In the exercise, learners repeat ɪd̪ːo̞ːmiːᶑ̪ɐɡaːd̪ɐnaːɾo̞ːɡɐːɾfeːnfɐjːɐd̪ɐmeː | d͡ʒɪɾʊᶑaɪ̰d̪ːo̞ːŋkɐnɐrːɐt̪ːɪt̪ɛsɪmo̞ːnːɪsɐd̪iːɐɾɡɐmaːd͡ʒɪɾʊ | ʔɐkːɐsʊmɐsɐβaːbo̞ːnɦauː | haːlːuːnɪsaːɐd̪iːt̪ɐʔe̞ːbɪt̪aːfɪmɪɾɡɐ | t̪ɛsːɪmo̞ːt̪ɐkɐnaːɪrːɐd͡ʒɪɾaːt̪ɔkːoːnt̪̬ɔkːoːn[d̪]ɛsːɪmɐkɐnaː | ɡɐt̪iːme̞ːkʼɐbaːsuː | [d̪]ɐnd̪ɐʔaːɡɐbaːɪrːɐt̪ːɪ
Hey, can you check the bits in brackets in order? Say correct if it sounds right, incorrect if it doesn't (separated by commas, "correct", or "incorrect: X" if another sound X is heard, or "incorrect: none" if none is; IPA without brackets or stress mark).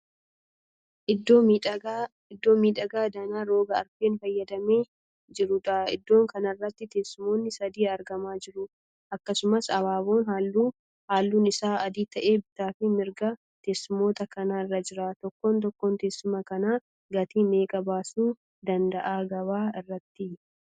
incorrect: t̪, correct